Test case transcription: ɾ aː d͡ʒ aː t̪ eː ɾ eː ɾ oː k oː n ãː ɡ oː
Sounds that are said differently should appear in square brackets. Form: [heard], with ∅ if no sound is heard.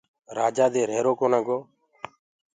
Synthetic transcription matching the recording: ɾ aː d͡ʒ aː [d̪] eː ɾ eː ɾ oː k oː n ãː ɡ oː